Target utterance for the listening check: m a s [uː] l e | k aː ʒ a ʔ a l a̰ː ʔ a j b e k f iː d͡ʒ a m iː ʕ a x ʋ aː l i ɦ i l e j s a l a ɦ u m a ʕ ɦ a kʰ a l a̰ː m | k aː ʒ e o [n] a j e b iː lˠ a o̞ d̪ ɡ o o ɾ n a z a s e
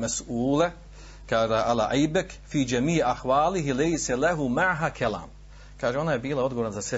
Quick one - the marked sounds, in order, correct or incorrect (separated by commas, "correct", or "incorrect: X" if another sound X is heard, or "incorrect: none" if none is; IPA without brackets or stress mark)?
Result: correct, correct